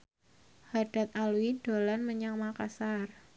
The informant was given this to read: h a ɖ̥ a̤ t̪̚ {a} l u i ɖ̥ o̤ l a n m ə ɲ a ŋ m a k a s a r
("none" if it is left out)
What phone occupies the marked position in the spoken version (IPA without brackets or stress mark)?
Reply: a